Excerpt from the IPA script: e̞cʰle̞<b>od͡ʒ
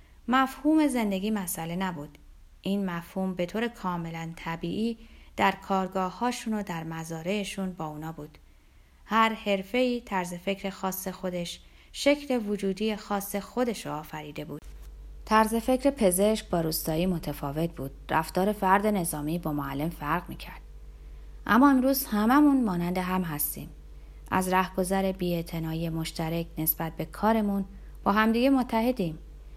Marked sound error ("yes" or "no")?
yes